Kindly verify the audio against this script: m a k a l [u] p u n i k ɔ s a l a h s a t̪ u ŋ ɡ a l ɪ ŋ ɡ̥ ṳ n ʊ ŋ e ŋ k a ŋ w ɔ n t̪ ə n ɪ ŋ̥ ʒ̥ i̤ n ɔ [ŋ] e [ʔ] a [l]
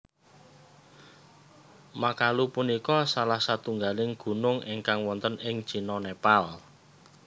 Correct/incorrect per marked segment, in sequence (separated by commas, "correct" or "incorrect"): correct, incorrect, incorrect, correct